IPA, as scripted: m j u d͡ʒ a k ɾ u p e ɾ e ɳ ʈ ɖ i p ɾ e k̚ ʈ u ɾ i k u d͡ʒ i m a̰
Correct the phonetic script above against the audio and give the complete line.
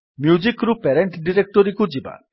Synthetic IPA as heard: m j u d͡ʒ i k ɾ u p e ɾ e ɳ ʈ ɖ i ɾ e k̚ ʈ ɔ ɾ i k u d͡ʒ i b a̰